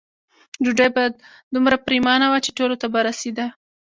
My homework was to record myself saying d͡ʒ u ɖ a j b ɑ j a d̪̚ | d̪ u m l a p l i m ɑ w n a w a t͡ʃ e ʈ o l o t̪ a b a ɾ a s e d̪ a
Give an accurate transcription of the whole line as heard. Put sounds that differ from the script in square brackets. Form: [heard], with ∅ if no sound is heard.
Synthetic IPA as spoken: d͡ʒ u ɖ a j b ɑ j a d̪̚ | d̪ u m [ɾ] a p [ɾ] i m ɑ [∅] n a w a t͡ʃ e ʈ o l o t̪ a b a ɾ a s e d̪ a